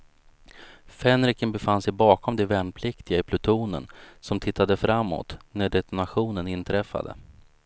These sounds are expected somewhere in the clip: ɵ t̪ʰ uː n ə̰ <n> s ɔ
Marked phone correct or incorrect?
correct